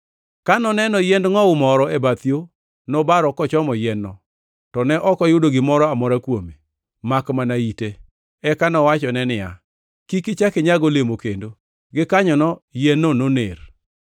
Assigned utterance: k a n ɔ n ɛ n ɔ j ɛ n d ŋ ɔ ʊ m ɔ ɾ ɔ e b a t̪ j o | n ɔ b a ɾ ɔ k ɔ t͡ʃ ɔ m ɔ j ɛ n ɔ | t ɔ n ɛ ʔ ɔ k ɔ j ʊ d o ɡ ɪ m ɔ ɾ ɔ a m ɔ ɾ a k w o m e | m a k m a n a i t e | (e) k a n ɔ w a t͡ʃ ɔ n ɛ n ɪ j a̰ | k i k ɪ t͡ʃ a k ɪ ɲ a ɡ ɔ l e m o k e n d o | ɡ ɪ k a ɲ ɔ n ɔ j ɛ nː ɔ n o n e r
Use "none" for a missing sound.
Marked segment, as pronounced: ɛ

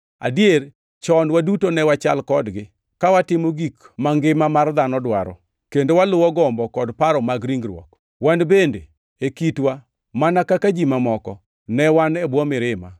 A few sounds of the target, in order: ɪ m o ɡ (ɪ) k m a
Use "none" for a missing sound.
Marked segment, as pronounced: i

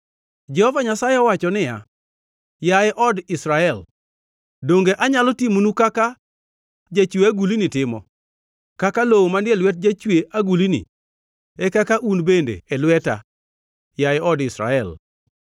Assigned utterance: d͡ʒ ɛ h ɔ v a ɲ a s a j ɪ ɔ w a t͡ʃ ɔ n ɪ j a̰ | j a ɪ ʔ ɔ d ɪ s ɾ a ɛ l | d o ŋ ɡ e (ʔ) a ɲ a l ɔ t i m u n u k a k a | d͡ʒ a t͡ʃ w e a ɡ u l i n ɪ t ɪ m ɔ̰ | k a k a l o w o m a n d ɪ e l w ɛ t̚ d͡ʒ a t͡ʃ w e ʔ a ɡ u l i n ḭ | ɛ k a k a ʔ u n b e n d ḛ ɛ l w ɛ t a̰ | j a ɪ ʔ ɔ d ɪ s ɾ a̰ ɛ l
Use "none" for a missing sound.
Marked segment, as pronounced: ʔ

